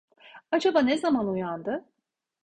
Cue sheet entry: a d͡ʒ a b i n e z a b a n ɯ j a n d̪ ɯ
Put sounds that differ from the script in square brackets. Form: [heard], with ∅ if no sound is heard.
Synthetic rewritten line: a d͡ʒ a b [a] n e z a [m] a n [u] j a n d̪ ɯ